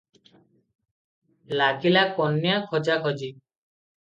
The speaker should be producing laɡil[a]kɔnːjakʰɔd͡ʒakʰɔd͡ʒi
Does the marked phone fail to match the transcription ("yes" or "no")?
no